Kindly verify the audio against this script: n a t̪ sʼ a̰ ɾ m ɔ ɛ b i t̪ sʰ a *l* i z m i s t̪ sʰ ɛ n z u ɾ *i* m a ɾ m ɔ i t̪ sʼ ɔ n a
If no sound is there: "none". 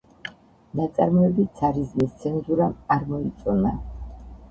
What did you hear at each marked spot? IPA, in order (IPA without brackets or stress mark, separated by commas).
ɾ, a